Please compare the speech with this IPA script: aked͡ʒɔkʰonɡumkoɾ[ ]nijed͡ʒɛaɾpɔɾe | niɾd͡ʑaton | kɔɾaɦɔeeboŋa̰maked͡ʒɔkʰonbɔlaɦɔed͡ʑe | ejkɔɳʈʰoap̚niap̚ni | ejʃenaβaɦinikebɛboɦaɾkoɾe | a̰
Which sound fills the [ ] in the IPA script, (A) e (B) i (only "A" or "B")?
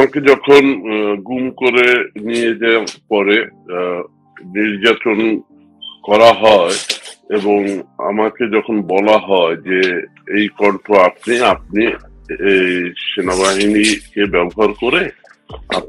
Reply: A